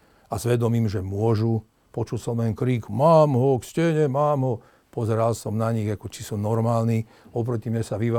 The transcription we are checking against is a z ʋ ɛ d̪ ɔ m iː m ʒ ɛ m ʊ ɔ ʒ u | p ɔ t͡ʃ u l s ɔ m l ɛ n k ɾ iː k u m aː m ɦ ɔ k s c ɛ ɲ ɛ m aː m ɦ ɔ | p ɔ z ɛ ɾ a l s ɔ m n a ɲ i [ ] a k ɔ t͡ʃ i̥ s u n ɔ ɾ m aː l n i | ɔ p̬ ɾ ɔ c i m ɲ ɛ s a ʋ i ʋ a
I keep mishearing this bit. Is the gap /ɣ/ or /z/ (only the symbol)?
ɣ